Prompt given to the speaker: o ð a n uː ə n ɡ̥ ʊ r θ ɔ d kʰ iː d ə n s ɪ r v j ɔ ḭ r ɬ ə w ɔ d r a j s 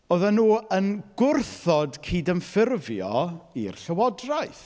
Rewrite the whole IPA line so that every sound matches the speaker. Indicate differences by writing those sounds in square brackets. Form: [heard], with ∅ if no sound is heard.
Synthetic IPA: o ð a n uː ə n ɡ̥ ʊ r θ ɔ d kʰ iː d ə n [f] ɪ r v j ɔ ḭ r ɬ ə w ɔ d r a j [θ]